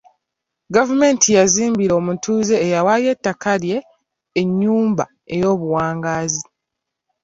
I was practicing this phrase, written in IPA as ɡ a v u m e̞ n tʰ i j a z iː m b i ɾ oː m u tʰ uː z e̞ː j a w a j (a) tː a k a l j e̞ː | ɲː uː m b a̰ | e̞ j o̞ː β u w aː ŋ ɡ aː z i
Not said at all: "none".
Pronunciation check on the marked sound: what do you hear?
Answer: e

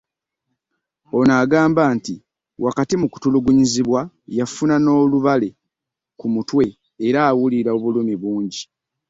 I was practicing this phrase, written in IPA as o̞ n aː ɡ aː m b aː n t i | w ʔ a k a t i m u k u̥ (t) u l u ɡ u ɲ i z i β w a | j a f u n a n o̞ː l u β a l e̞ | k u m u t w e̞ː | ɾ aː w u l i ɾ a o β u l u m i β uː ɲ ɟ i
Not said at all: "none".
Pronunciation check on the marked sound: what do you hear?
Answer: t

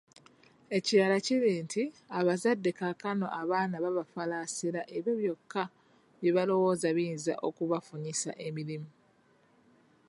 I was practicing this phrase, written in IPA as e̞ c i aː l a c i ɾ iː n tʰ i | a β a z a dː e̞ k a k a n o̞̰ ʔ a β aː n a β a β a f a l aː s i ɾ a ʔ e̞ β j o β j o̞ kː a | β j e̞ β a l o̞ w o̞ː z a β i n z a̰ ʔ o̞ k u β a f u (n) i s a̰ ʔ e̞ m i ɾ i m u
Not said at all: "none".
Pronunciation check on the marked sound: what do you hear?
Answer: ɲ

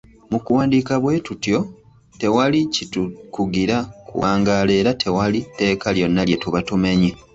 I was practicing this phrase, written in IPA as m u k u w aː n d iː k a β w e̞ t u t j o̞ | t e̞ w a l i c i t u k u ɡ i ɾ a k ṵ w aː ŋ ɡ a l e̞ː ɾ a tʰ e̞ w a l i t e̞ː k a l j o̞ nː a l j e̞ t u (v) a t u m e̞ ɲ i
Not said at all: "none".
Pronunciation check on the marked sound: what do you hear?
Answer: β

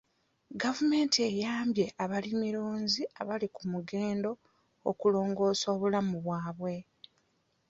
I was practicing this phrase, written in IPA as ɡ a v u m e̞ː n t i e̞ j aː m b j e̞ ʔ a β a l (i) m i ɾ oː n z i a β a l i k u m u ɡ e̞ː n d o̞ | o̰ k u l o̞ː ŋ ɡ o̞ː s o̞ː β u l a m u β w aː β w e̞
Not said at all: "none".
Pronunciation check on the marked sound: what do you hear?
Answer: i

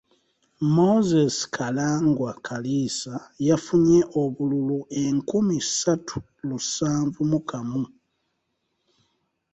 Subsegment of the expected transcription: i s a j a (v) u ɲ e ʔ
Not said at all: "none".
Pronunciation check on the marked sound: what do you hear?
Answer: f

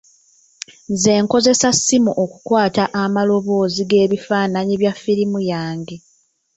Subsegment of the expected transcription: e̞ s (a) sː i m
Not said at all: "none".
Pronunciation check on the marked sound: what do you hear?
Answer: a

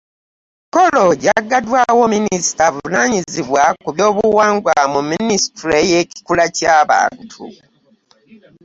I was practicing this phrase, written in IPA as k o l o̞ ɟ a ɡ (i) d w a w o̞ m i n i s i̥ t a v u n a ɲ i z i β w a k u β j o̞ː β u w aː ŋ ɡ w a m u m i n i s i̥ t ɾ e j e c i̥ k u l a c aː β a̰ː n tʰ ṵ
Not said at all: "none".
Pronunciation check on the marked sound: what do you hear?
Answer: a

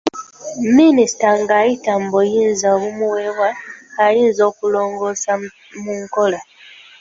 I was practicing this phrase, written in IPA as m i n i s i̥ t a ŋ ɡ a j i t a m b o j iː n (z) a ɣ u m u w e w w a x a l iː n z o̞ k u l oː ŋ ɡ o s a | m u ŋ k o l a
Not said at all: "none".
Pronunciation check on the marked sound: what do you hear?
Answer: z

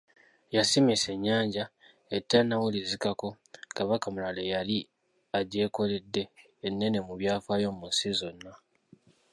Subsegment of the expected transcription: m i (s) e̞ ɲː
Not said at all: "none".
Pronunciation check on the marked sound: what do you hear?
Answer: s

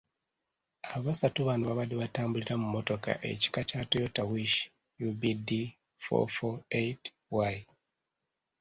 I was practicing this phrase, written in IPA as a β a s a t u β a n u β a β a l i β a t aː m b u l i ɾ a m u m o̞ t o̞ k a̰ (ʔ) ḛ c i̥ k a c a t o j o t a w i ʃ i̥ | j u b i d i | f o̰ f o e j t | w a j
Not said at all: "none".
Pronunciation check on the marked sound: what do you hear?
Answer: ʔ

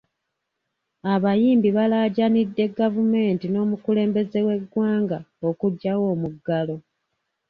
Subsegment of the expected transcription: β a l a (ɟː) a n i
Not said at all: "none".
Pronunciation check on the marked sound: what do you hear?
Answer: ɟ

